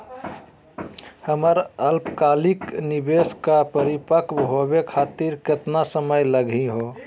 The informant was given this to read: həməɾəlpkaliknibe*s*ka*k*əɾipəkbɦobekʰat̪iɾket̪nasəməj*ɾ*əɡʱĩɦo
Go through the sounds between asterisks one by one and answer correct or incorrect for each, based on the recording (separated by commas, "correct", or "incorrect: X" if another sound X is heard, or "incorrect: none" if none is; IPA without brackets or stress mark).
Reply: correct, incorrect: p, incorrect: l